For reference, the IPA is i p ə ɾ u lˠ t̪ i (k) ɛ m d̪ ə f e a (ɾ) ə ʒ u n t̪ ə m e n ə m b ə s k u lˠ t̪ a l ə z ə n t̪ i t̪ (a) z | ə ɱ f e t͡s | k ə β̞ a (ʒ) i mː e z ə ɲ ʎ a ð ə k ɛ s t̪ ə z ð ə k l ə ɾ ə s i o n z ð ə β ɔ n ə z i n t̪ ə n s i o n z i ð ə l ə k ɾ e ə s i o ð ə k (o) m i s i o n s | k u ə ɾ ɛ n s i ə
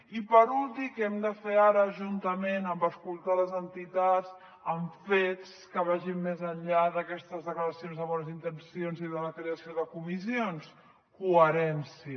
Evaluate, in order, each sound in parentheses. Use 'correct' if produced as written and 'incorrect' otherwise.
correct, correct, correct, correct, incorrect

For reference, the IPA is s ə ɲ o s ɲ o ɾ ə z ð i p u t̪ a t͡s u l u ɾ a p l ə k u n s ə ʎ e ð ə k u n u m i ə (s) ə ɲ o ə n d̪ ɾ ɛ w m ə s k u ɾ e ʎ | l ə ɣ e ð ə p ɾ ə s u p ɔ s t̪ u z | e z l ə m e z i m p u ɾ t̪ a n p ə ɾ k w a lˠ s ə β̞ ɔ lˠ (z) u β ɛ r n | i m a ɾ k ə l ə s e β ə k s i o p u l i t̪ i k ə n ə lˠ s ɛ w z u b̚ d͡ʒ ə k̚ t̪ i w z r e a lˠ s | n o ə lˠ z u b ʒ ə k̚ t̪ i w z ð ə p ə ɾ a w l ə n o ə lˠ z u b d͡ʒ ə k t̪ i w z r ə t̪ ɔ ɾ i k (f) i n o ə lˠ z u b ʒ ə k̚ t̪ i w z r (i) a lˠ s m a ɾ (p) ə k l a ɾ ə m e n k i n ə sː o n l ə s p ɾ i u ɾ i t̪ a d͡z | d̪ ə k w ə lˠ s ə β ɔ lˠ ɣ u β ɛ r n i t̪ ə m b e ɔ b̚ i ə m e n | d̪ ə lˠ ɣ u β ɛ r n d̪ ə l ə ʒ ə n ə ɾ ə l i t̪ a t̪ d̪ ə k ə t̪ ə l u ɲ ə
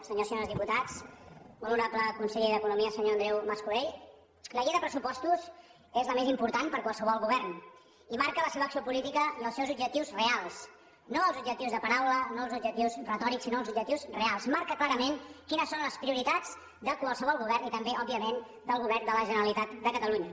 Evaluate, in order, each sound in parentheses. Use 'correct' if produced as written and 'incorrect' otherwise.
correct, incorrect, incorrect, incorrect, incorrect

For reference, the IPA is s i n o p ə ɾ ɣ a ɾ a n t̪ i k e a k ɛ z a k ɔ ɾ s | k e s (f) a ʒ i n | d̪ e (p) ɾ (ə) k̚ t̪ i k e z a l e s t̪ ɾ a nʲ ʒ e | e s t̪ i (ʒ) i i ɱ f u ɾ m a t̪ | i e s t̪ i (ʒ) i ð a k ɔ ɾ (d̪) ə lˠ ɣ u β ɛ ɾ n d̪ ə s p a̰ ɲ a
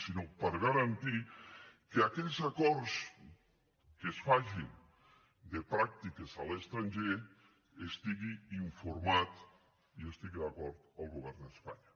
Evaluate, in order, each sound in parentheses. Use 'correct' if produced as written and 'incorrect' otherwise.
correct, correct, incorrect, incorrect, incorrect, incorrect

